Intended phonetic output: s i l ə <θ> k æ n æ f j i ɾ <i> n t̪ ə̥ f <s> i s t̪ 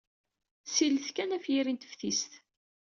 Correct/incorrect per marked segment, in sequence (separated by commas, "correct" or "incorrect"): correct, correct, incorrect